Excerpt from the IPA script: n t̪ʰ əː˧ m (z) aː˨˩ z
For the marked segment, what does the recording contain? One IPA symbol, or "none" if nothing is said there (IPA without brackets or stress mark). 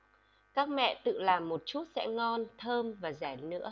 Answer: v